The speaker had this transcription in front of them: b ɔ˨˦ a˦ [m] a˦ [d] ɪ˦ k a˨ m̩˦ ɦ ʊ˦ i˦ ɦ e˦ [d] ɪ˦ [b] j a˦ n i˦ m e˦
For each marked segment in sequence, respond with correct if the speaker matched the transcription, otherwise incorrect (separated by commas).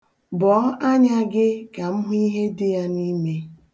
incorrect, incorrect, correct, incorrect